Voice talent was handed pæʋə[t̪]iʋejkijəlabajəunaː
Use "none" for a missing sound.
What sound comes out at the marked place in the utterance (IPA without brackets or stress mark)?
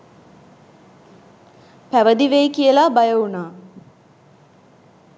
d̪